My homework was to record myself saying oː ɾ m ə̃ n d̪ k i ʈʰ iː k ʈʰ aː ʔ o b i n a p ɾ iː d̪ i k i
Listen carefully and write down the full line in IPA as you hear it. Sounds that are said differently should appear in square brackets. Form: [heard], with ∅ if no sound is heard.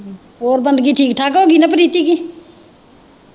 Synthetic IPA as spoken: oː ɾ [b] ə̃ n d̪ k i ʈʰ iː k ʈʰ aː [k] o [ɡ] i n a p ɾ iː [t̪] i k i